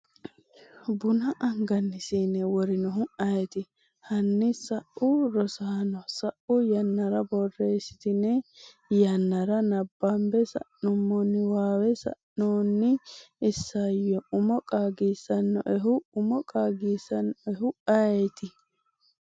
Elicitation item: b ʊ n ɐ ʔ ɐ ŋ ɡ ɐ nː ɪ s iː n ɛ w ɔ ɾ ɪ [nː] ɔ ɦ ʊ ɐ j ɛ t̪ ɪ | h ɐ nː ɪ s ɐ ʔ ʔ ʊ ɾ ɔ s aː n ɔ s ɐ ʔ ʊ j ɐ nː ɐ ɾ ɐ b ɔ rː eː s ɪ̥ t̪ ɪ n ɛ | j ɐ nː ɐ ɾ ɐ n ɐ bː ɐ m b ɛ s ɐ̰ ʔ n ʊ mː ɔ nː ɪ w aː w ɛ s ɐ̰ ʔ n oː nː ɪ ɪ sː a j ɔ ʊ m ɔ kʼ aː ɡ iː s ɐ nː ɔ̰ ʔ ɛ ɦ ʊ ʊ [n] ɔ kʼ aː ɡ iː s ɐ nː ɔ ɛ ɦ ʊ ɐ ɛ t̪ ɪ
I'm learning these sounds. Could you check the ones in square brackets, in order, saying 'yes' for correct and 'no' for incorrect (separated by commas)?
no, no